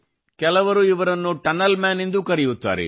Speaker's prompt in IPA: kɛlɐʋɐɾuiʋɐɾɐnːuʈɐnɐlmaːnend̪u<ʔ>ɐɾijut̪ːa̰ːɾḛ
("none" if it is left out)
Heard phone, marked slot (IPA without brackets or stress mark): k